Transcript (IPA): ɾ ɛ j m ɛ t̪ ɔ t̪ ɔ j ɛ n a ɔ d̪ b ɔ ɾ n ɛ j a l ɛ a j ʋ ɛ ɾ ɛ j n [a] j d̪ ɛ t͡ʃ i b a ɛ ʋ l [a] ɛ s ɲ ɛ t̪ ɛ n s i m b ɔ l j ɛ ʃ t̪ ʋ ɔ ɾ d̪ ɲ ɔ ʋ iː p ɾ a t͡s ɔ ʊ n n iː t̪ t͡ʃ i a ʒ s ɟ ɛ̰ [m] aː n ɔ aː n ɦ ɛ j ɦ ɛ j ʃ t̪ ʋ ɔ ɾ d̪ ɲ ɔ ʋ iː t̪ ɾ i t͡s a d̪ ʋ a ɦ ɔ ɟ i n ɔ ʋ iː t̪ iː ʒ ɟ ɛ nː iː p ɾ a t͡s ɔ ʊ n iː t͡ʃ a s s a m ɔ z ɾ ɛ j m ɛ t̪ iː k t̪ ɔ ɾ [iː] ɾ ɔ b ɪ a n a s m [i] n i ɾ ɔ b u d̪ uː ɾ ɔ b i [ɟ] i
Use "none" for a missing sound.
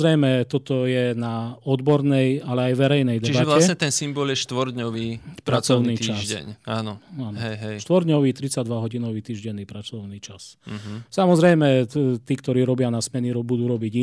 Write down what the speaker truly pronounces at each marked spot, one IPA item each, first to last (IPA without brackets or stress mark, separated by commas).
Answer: ɛ, a, ɲ, iː, ɛ, ɟ